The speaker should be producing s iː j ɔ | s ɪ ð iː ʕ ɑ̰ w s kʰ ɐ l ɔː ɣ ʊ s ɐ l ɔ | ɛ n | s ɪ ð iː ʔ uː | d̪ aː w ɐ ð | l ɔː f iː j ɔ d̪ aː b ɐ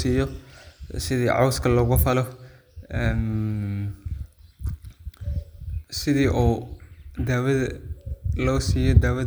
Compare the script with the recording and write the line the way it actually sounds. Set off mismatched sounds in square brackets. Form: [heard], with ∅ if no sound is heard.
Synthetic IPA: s iː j ɔ | s ɪ ð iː ʕ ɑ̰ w s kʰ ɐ l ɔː ɣ ʊ [f] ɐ l ɔ | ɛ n | s ɪ ð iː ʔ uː | d̪ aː w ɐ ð | l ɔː [s] iː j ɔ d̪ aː [w] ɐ